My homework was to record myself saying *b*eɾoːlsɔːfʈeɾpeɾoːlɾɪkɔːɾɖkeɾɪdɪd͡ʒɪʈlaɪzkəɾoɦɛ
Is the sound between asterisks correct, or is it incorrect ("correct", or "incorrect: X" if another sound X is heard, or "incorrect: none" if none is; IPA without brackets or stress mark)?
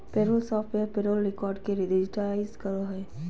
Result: incorrect: p